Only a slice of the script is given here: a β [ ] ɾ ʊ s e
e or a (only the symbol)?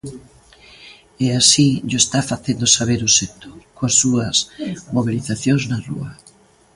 e